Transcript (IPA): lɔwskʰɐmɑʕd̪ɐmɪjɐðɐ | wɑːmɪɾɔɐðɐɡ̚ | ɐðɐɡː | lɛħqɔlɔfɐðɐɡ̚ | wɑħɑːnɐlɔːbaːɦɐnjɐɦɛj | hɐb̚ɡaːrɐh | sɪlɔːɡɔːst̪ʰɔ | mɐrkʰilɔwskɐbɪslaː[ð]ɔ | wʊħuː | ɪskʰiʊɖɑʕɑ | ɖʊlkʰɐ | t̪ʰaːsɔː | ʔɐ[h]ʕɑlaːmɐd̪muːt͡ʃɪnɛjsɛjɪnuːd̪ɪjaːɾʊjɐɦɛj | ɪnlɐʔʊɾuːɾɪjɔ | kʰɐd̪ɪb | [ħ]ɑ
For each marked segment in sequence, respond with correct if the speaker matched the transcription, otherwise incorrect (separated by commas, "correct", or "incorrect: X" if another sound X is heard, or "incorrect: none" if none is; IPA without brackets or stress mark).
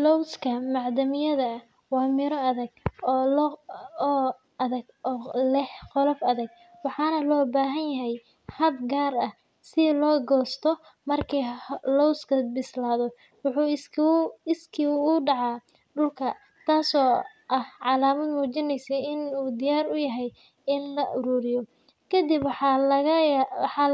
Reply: correct, correct, correct